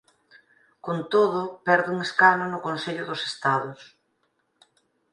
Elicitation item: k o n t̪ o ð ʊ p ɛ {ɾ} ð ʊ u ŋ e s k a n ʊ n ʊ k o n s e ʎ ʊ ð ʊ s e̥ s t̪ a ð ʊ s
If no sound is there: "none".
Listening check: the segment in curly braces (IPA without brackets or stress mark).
ɾ